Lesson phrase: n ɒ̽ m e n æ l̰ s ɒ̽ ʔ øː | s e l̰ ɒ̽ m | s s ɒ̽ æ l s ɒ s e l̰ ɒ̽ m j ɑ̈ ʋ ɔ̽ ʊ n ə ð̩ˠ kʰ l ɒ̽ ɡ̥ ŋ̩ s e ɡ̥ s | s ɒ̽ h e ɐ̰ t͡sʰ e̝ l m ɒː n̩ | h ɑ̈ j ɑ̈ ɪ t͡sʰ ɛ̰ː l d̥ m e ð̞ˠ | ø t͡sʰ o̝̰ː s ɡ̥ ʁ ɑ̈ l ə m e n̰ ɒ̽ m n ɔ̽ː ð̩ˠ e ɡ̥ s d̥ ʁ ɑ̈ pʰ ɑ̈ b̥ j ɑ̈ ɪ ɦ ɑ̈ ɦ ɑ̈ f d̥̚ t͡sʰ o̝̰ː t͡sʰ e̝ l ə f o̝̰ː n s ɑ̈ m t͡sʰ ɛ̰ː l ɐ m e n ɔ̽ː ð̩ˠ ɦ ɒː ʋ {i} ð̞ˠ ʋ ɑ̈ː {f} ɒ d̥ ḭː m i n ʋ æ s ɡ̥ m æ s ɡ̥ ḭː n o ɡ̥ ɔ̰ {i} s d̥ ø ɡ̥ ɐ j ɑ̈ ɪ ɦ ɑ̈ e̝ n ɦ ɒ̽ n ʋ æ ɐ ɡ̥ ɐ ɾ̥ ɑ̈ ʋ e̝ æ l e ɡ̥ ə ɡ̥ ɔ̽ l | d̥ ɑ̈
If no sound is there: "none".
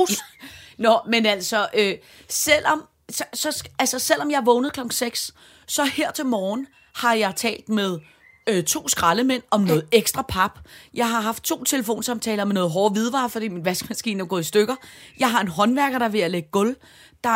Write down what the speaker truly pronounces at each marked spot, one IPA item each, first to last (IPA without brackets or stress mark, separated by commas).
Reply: i, f, i